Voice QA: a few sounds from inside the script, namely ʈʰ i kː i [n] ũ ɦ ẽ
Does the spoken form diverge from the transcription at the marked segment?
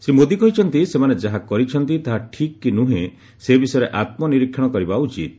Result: no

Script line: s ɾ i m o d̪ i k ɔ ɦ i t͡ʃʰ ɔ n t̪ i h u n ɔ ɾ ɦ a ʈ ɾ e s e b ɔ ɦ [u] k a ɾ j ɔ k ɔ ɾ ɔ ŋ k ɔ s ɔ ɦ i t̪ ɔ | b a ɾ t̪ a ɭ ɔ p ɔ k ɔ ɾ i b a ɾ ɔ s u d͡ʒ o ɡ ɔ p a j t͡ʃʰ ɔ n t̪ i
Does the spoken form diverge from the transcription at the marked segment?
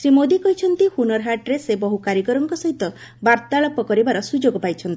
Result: no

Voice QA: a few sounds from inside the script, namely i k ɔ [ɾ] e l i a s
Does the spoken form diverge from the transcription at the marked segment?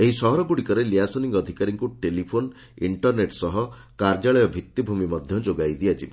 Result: no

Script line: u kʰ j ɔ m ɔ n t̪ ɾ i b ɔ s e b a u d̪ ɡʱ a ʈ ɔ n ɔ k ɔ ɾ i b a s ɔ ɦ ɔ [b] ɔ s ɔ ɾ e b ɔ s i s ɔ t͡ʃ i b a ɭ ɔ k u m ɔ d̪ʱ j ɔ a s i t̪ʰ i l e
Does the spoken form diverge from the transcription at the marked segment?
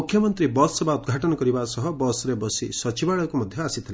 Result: no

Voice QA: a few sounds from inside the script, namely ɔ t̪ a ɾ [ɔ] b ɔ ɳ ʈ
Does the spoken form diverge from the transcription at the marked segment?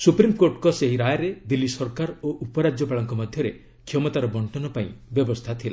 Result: no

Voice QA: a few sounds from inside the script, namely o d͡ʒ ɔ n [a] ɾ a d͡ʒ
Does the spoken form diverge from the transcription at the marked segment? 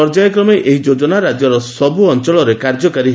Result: no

